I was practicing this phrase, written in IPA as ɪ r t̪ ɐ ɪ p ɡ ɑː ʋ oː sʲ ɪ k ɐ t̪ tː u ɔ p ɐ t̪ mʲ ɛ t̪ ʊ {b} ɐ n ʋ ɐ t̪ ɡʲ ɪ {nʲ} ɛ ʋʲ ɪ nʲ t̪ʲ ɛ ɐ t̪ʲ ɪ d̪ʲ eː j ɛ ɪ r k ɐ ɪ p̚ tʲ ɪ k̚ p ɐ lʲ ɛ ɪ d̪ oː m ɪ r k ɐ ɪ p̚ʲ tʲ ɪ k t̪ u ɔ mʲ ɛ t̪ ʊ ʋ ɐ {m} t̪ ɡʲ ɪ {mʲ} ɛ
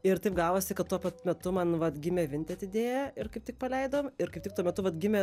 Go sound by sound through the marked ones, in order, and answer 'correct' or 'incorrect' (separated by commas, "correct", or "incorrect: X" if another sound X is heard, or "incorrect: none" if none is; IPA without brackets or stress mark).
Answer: incorrect: m, incorrect: mʲ, incorrect: none, correct